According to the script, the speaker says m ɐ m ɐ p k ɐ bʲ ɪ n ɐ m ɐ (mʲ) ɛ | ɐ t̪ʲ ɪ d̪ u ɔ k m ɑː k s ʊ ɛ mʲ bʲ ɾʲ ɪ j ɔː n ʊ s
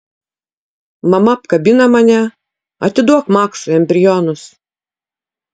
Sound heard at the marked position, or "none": nʲ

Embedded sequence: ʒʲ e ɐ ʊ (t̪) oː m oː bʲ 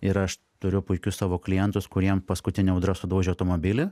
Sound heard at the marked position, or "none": t̪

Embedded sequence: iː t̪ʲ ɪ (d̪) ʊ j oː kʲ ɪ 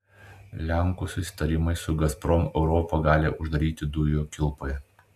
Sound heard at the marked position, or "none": d̪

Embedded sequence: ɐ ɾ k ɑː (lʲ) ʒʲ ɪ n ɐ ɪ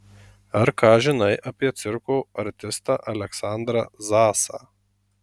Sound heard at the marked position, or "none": none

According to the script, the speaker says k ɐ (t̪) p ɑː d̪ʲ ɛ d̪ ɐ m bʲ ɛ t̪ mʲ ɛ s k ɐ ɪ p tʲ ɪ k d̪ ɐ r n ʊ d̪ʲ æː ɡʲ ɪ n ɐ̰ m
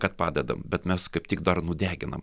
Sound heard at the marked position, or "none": t̪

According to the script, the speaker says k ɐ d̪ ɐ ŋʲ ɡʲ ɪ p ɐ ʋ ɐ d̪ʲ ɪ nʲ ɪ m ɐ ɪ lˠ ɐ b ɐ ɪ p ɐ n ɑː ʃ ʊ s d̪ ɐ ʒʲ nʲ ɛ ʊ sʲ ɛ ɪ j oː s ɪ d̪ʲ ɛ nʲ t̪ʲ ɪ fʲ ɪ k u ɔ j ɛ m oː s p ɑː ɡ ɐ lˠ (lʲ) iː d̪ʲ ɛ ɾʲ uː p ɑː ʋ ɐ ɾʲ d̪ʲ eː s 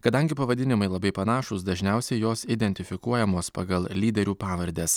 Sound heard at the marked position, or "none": lʲ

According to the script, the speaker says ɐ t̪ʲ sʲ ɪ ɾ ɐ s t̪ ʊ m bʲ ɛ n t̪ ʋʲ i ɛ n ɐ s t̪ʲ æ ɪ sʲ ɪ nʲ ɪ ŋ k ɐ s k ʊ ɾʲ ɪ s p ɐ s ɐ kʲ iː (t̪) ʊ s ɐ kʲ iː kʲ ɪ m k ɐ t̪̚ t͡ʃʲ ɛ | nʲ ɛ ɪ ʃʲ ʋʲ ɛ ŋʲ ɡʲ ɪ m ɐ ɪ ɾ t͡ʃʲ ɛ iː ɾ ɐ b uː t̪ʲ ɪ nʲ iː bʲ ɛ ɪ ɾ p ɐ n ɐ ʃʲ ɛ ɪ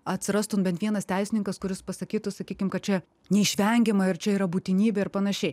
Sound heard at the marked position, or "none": t̪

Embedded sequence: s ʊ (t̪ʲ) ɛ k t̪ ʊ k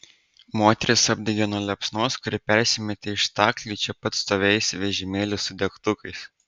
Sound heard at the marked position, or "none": d̪ʲ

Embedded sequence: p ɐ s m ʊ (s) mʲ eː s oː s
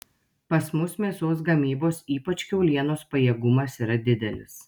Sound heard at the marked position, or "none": s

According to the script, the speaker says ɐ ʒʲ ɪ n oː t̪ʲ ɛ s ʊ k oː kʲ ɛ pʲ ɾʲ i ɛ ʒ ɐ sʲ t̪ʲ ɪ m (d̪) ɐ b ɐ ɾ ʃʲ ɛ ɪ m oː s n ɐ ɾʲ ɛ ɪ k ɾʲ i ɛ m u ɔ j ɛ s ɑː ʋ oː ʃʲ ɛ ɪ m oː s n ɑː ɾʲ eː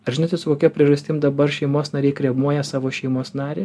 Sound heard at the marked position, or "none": d̪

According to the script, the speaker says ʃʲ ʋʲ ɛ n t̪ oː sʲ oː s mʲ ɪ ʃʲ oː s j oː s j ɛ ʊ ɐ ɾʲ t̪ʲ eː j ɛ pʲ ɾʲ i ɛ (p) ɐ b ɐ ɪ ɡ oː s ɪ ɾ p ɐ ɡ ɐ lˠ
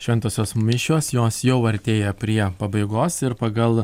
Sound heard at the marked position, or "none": p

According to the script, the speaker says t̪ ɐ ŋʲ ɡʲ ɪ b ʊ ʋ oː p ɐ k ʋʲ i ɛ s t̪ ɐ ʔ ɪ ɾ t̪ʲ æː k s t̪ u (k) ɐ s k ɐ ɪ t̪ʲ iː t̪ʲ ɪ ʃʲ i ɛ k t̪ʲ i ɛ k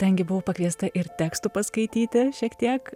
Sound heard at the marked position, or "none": p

